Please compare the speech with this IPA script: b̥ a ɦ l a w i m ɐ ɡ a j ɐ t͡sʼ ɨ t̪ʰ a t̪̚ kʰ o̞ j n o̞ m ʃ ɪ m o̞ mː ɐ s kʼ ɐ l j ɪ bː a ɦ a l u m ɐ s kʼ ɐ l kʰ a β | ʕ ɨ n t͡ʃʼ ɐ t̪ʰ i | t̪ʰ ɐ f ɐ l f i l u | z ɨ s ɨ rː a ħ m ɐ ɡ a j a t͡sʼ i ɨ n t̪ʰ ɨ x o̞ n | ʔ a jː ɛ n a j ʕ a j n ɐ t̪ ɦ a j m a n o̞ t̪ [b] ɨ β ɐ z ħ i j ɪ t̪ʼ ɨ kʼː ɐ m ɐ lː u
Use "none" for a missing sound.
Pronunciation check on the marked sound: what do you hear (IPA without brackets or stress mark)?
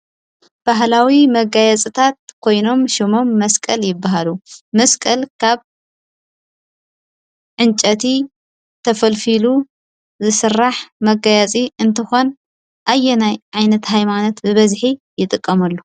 b